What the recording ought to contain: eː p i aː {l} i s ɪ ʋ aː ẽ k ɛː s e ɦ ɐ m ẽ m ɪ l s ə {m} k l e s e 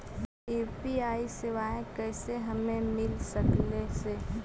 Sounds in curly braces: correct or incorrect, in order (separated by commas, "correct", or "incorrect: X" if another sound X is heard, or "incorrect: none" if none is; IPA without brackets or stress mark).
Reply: incorrect: none, incorrect: none